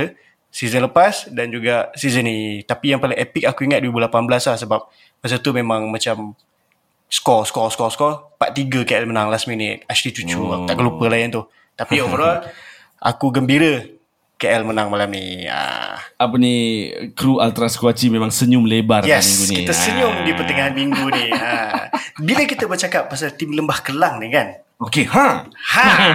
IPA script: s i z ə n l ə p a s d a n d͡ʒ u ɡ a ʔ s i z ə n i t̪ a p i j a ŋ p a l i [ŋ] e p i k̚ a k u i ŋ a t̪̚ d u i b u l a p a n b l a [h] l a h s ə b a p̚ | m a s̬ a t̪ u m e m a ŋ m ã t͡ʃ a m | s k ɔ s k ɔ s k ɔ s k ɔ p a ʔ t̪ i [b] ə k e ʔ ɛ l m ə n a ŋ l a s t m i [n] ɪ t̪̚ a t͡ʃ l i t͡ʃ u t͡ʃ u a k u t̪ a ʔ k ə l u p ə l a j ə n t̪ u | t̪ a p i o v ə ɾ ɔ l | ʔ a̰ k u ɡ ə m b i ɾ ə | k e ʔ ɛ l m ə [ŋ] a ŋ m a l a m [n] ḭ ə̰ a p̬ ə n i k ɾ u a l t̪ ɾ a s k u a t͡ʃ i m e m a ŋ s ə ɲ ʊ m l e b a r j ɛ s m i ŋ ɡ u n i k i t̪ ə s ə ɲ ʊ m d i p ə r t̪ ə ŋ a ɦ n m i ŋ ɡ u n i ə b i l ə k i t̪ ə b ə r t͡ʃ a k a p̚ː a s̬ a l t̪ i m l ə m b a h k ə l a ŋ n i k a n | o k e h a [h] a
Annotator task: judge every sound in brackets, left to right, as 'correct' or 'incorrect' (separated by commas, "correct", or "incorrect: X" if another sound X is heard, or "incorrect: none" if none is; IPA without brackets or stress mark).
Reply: correct, incorrect: s, incorrect: ɡ, correct, incorrect: n, correct, correct